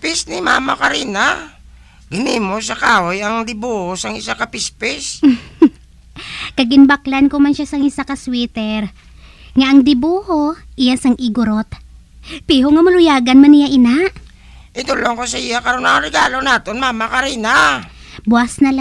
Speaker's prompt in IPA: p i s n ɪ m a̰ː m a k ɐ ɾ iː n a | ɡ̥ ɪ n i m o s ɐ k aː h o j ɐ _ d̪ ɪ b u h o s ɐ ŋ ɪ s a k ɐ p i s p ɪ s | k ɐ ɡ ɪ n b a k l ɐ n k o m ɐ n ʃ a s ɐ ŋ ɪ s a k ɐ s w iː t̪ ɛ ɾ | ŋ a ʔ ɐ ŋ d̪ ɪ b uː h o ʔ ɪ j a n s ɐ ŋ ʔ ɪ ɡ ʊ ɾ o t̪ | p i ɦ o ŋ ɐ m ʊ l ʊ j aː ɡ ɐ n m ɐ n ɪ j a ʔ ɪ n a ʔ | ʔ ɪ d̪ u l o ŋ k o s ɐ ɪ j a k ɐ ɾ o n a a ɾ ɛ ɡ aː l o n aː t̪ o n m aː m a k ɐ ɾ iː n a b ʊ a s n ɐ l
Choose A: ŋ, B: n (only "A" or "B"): A